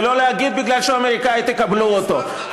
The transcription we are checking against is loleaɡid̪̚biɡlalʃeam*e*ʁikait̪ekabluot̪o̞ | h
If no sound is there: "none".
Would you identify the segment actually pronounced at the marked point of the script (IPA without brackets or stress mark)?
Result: e